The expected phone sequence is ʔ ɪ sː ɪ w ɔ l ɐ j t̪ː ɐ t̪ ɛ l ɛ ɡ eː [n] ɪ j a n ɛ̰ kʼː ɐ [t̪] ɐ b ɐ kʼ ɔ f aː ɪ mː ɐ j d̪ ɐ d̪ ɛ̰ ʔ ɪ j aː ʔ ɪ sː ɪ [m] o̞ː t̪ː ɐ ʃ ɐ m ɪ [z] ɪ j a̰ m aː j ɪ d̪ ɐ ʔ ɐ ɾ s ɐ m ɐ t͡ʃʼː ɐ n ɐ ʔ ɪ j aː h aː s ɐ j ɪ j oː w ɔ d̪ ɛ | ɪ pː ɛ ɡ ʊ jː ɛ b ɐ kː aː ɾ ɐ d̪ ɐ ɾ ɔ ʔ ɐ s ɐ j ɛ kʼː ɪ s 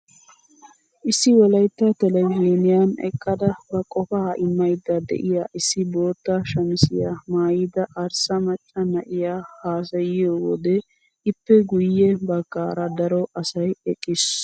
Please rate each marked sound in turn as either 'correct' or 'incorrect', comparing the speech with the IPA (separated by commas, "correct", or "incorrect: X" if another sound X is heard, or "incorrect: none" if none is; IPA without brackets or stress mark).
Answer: correct, incorrect: d̪, incorrect: b, incorrect: s